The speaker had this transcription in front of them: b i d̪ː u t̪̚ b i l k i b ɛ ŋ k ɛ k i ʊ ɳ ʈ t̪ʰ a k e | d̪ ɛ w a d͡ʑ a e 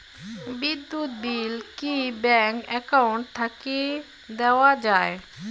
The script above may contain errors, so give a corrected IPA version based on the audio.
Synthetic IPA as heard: b i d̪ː u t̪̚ b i l k i b ɛ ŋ k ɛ k a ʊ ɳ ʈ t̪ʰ a k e | d̪ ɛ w a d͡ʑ a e